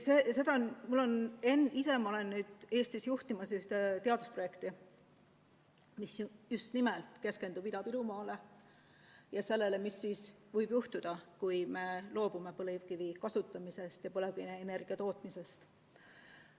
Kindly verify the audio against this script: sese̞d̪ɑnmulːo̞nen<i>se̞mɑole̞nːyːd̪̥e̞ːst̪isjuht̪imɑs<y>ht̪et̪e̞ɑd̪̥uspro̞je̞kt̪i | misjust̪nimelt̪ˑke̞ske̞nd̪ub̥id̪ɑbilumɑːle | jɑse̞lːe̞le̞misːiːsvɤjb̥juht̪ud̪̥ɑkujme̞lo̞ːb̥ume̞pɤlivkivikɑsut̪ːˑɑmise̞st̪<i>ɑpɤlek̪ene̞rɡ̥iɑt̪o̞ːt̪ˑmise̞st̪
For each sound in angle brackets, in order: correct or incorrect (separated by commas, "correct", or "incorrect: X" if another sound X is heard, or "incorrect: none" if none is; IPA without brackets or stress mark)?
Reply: correct, correct, incorrect: j